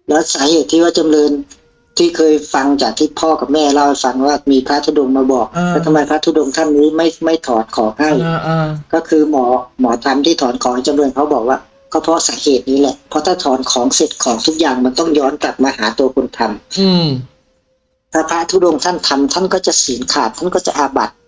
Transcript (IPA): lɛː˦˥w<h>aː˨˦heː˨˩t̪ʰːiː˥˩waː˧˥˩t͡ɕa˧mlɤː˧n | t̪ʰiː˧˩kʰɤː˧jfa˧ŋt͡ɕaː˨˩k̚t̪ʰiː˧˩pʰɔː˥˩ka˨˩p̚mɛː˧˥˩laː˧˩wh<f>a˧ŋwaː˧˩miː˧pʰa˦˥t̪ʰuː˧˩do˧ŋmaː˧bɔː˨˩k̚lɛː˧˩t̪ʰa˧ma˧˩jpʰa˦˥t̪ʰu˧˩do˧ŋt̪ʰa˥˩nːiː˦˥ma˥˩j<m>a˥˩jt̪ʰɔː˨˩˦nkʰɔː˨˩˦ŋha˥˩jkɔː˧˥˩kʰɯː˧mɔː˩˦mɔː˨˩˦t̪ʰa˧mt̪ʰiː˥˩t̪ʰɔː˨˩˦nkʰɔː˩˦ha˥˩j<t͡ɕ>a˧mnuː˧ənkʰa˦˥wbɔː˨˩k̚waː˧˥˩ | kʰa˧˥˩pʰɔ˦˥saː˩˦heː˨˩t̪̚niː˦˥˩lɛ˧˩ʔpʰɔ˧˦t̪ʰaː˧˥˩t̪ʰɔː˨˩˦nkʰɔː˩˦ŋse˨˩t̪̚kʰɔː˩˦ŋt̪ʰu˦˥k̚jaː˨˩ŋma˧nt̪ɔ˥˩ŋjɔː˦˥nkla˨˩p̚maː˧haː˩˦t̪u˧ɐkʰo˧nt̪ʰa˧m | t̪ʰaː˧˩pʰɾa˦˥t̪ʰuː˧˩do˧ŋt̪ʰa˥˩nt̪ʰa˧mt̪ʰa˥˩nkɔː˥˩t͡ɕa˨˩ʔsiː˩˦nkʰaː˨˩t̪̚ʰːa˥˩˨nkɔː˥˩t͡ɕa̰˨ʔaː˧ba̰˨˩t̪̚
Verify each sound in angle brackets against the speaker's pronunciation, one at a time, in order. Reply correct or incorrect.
incorrect: s, correct, correct, correct

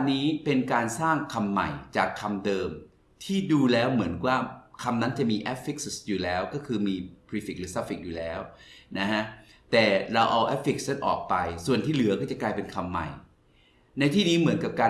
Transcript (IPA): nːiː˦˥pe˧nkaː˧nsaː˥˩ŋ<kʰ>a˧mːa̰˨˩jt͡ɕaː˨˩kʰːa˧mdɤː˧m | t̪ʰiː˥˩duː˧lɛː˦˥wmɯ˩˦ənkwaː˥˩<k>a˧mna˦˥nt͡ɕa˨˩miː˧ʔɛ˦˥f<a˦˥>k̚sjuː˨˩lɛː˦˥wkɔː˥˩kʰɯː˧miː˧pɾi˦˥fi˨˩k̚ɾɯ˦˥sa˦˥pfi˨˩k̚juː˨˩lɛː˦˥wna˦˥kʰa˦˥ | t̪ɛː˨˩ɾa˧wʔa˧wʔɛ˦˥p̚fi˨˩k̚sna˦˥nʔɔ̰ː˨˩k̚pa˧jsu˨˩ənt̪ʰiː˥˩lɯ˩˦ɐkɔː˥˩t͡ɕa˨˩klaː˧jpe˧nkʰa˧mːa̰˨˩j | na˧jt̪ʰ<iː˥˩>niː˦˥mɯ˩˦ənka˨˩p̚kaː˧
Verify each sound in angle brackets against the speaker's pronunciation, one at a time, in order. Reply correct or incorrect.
correct, incorrect: kʰ, incorrect: i˦˥, correct

